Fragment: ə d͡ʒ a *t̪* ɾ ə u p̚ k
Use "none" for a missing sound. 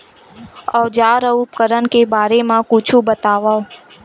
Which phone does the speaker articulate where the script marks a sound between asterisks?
none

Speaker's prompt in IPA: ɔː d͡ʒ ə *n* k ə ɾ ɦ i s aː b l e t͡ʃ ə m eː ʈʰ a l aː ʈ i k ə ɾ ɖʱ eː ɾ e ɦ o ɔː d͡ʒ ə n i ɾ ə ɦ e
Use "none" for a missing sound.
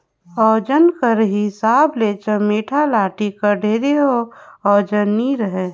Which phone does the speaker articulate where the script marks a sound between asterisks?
n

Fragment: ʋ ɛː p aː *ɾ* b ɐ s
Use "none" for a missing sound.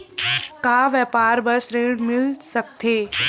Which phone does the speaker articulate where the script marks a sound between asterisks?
ɾ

